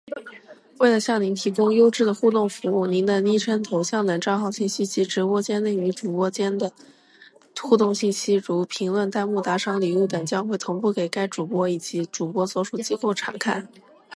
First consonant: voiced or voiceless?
voiced